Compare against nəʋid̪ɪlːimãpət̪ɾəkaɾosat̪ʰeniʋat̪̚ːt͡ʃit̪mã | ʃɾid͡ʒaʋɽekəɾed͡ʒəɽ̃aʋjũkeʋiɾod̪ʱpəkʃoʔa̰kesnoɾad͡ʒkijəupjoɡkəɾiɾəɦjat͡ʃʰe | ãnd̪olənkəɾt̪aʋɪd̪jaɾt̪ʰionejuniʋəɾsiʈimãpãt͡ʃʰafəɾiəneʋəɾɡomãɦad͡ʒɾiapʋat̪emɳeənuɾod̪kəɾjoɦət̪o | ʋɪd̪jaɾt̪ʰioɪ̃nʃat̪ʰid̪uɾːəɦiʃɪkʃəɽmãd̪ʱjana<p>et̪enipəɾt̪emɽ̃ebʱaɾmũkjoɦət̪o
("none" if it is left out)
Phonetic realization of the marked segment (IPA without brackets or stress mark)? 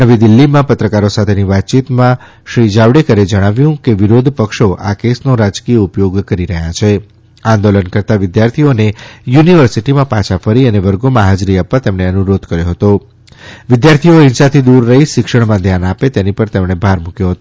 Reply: p